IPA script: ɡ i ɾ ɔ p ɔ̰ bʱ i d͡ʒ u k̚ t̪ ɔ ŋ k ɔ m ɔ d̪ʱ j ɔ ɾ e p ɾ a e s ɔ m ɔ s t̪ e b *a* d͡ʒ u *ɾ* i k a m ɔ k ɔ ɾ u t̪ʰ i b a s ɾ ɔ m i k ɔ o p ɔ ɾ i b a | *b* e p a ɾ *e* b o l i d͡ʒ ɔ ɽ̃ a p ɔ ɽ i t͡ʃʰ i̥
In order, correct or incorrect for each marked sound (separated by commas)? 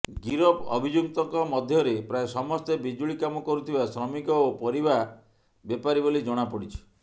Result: incorrect, incorrect, correct, incorrect